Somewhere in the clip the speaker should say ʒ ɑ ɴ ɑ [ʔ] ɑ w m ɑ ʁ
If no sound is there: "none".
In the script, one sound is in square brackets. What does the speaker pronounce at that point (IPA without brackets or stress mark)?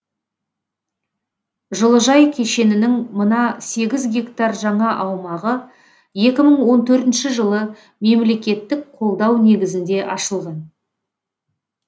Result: ʔ